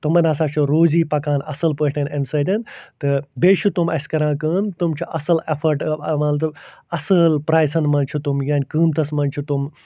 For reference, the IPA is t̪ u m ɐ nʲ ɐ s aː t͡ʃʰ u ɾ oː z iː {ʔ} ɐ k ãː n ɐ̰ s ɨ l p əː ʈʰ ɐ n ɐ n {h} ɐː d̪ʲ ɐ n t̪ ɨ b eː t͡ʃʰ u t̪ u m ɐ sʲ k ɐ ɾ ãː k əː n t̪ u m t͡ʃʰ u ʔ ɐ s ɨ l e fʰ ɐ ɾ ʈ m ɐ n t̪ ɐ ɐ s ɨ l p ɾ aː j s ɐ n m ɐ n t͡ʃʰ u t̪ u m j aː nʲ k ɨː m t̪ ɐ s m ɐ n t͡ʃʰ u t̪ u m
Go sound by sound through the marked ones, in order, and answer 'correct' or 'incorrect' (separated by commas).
incorrect, incorrect